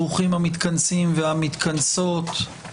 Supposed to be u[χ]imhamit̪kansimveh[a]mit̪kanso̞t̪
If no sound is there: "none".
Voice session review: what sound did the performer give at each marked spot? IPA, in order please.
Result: χ, a

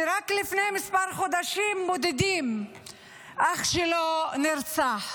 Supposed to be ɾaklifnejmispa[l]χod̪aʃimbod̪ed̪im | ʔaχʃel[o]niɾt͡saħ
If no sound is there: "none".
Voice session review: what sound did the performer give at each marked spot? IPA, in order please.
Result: ɾ, o

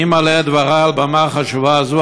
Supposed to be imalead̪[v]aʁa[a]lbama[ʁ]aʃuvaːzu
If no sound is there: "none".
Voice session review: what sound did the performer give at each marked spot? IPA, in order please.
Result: v, a, χ

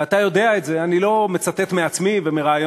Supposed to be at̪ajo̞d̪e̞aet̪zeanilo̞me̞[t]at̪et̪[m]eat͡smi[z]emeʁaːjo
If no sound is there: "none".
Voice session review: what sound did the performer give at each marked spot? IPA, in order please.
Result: t͡s, m, v

